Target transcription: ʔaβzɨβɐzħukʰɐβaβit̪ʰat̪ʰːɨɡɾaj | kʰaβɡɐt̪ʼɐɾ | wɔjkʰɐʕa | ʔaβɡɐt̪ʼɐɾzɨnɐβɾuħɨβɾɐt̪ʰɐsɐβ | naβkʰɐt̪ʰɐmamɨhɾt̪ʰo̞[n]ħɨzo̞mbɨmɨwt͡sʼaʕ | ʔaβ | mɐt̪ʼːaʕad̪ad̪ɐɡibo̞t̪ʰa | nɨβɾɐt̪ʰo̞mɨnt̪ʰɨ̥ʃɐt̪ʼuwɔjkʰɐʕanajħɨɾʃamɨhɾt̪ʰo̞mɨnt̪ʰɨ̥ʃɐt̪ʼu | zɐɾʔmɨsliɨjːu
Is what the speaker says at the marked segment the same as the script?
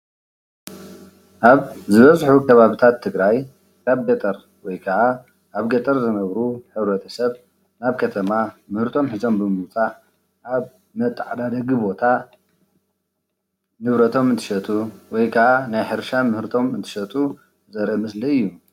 no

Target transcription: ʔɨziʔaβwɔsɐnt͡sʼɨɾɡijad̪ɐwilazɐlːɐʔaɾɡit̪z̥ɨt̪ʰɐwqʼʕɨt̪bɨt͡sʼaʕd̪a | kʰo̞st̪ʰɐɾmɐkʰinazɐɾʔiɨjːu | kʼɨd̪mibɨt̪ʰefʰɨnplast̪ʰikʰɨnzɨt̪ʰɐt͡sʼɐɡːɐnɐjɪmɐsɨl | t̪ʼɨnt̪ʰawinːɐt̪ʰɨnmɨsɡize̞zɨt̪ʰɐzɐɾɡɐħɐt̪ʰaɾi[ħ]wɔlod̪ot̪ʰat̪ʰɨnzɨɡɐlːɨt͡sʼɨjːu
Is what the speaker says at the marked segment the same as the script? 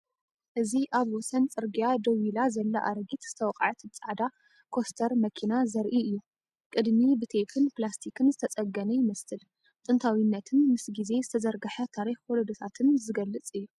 no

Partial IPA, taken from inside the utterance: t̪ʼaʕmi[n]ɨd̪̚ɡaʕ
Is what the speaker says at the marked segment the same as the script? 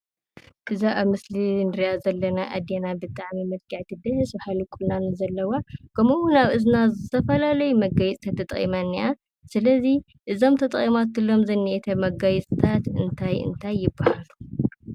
no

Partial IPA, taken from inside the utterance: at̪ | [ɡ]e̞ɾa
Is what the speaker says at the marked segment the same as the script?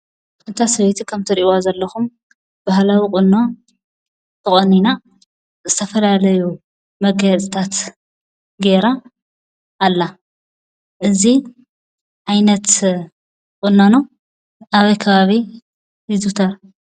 yes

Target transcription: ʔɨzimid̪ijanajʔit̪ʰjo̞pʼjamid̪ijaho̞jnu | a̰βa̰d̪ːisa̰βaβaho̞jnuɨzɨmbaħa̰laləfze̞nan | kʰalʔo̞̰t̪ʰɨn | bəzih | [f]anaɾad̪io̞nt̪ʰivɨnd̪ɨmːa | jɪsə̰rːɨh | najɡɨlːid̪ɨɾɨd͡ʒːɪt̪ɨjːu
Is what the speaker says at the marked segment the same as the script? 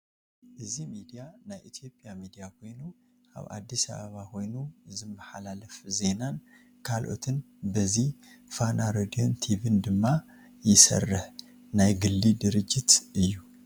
yes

